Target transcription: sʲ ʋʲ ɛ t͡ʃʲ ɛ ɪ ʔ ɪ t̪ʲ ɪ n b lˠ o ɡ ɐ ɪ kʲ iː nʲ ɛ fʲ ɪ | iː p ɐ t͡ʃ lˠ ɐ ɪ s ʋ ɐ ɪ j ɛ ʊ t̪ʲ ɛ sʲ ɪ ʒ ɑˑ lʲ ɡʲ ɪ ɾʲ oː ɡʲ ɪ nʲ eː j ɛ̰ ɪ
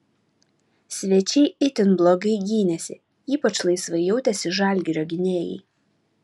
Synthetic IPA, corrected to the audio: sʲ ʋʲ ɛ t͡ʃʲ ɛ ɪ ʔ ɪ t̪ʲ ɪ n b lˠ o ɡ ɐ ɪ ɡʲ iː nʲ ɛ sʲ ɪ | iː p ɐ t͡ʃ lˠ ɐ ɪ s ʋ ɐ ɪ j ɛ ʊ t̪ʲ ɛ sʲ ɪ ʒ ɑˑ lʲ ɡʲ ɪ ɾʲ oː ɡʲ ɪ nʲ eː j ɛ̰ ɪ